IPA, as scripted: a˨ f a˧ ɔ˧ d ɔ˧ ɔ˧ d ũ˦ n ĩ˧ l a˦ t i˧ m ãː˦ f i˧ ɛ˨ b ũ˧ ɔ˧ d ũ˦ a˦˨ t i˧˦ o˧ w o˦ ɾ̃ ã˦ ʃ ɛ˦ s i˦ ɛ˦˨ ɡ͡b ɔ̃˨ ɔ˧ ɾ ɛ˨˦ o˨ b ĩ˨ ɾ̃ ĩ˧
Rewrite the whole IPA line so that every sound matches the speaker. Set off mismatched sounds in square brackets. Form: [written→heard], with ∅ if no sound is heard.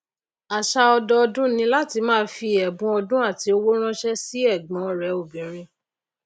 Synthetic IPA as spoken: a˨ [f→ʃ] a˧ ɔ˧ d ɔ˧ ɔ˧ d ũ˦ n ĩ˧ l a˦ t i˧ m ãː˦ f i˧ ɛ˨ b ũ˧ ɔ˧ d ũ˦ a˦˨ t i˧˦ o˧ w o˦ ɾ̃ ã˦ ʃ ɛ˦ s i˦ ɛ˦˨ ɡ͡b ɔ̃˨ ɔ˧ ɾ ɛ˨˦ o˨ b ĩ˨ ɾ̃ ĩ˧